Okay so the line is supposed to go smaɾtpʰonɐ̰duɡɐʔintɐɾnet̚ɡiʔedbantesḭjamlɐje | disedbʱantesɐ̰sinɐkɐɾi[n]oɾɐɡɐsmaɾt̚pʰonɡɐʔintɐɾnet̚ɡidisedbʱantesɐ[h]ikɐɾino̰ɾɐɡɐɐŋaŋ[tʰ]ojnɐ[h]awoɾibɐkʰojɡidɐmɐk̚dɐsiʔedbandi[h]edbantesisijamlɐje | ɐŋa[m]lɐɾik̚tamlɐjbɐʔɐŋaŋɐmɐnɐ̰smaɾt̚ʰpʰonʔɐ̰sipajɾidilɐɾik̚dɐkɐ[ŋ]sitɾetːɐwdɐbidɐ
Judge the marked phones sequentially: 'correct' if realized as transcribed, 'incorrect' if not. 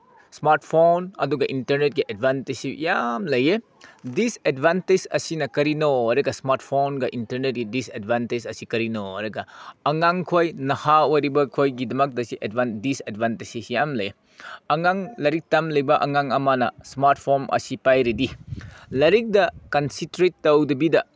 correct, incorrect: s, incorrect: kʰ, correct, incorrect: s, incorrect: ŋ, incorrect: n

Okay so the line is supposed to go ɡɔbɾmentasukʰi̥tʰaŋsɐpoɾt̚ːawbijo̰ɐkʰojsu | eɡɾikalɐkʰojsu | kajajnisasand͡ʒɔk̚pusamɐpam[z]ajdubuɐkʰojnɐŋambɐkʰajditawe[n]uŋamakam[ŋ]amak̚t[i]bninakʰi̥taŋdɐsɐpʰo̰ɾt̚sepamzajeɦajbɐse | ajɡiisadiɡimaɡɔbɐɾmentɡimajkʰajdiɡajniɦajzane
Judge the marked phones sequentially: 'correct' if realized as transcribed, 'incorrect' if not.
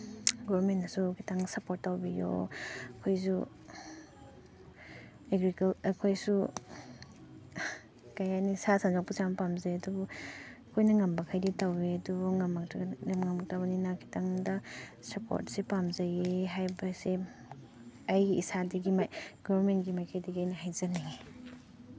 correct, incorrect: d, correct, incorrect: a

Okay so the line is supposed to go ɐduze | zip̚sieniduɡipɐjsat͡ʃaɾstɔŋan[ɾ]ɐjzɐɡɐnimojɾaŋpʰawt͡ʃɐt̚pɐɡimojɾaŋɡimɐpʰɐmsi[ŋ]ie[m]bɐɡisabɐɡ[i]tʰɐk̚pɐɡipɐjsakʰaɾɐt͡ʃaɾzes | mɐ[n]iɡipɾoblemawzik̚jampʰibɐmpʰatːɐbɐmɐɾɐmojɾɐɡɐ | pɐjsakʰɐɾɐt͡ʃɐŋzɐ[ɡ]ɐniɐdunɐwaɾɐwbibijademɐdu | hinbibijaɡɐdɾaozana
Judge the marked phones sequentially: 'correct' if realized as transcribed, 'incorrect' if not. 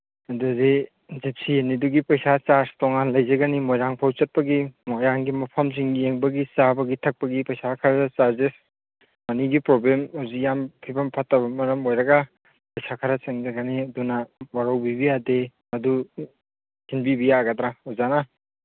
incorrect: l, correct, incorrect: ŋ, correct, correct, correct

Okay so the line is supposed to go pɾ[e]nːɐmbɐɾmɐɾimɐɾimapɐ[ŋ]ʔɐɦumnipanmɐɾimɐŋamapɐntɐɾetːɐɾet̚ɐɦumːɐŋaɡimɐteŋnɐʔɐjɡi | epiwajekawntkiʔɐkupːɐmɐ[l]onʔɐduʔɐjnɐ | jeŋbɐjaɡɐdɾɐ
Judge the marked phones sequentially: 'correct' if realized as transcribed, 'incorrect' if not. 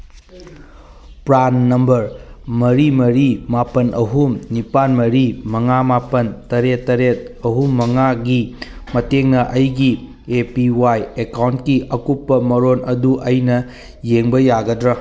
incorrect: a, incorrect: n, incorrect: ɾ

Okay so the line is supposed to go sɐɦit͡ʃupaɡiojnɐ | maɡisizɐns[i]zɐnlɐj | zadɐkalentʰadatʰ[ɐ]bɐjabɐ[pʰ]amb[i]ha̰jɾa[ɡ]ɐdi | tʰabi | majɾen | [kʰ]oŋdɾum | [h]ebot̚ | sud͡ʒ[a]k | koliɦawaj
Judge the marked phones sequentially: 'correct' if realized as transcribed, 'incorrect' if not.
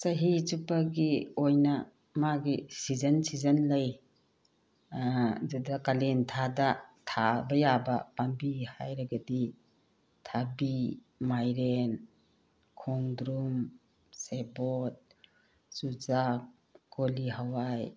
correct, incorrect: a, incorrect: p, correct, correct, correct, incorrect: s, correct

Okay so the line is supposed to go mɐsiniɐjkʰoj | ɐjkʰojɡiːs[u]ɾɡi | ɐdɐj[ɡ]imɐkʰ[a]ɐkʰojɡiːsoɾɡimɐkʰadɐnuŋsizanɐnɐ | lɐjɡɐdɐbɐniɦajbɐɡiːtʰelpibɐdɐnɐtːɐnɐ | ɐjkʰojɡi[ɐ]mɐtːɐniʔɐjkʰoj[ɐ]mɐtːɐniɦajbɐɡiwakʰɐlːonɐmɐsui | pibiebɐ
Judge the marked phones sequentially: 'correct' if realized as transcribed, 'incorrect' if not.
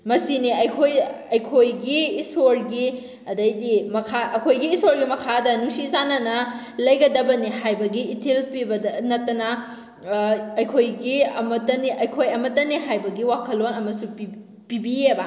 incorrect: o, incorrect: d, correct, correct, correct

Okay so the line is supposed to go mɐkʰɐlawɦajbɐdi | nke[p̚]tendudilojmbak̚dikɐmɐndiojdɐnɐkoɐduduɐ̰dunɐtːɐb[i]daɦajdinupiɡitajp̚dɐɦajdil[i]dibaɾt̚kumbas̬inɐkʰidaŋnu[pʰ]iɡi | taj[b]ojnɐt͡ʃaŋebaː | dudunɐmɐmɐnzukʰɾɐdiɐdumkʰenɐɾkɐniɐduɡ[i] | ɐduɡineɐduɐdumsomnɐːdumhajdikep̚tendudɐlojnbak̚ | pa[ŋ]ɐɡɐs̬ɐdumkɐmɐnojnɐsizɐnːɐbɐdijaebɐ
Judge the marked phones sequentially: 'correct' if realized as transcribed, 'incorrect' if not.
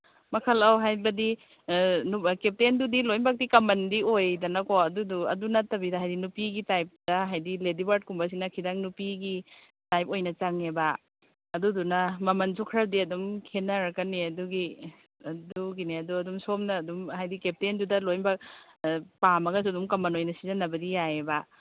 correct, correct, incorrect: e, incorrect: p, incorrect: p, correct, incorrect: m

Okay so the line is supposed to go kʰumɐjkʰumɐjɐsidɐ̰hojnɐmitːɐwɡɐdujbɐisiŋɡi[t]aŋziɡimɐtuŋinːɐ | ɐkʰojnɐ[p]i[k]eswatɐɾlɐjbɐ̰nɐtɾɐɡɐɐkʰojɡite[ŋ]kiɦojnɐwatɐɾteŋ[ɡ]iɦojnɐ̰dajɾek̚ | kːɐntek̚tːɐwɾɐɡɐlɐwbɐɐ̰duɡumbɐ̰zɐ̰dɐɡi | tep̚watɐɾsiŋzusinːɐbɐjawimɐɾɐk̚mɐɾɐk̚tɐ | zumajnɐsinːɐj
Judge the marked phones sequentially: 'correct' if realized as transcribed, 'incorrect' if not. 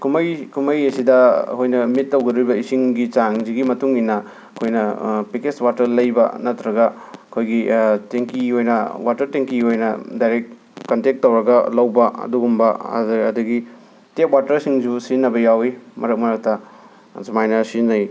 incorrect: t͡ʃ, correct, correct, correct, incorrect: k

